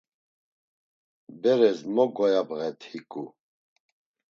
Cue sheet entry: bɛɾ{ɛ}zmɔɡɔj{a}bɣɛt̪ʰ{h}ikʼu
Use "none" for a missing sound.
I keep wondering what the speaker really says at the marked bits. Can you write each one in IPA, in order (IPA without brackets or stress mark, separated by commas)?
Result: ɛ, a, h